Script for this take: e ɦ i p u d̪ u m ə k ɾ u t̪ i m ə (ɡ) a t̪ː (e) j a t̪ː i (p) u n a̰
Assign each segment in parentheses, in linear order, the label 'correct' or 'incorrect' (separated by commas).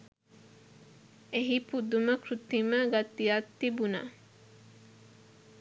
correct, incorrect, incorrect